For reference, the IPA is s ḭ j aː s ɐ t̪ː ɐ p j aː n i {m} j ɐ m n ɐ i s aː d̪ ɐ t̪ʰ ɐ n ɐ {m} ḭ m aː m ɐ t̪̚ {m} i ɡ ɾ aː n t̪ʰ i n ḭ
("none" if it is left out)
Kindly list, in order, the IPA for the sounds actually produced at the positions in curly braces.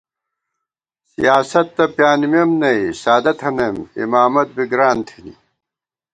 m, m, b

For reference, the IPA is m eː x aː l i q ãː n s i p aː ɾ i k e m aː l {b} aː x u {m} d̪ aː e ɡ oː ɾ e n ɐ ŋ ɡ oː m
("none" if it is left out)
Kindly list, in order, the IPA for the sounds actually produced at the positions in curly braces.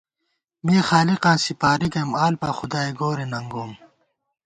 p, none

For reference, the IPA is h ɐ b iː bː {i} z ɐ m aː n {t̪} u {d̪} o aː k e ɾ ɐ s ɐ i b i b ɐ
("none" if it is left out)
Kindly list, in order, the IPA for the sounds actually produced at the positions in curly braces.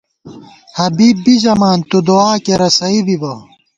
i, t̪, d̪

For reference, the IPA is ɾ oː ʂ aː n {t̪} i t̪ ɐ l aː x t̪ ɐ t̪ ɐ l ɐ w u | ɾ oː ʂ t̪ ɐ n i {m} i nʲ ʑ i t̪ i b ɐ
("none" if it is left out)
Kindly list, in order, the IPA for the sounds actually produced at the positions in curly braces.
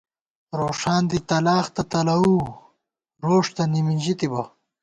d̪, m

